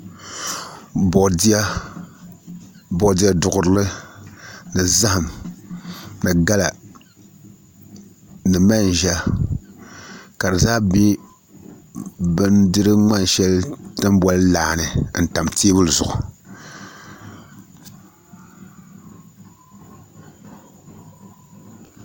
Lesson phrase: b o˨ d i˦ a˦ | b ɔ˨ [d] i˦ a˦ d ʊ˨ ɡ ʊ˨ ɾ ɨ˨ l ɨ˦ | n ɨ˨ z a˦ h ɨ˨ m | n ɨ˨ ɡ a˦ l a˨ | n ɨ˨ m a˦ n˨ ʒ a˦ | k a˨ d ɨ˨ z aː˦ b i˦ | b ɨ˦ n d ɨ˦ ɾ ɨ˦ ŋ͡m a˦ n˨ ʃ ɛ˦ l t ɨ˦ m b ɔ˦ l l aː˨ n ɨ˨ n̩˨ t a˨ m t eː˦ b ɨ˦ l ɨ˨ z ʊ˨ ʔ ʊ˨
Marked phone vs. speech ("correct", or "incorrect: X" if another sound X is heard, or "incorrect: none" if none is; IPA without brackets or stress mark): correct